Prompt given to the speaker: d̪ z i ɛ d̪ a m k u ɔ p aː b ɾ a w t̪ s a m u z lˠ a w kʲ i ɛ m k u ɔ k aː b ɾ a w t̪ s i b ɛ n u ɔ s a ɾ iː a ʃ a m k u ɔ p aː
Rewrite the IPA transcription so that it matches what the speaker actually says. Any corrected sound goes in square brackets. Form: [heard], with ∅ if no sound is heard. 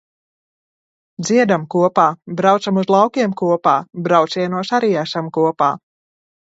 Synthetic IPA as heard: d̪ z i ɛ d̪ a m k u ɔ p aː b ɾ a w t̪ s a m u z lˠ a w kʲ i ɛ m k u ɔ [p] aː b ɾ a w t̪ s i [∅] ɛ n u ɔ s a ɾ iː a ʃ a m k u ɔ p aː